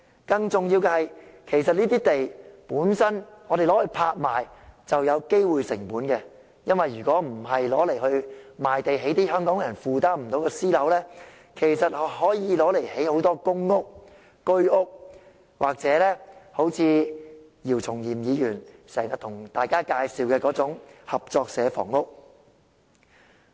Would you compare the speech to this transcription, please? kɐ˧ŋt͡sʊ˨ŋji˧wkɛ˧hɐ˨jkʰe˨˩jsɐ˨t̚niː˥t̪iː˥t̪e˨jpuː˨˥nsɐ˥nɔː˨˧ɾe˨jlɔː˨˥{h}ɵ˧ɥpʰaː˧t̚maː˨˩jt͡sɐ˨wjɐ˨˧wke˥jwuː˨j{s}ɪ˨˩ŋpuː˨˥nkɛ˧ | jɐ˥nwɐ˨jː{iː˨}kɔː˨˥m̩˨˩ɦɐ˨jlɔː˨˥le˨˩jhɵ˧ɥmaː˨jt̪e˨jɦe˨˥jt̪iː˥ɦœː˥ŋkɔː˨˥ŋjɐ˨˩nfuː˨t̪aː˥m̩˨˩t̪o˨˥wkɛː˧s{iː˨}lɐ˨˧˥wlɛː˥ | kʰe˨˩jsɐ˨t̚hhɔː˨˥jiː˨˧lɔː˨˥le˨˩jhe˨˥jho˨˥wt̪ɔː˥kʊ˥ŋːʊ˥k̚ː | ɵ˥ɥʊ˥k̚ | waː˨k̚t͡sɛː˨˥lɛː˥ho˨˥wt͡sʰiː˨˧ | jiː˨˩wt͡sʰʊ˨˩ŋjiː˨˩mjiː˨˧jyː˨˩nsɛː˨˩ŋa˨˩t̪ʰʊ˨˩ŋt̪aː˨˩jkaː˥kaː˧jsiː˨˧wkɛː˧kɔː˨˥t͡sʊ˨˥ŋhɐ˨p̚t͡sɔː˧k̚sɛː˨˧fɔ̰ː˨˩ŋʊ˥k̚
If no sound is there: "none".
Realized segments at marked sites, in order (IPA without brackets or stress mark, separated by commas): h, s, yː˨, iː˥